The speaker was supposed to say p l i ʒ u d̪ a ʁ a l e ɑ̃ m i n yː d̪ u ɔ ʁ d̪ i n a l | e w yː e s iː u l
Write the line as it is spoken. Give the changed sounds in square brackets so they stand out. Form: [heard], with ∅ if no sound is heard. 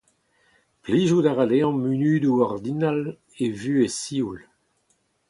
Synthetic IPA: p l i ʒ u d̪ a ʁ a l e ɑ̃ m [y] n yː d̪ u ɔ ʁ d̪ i n a l | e [v] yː e s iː u l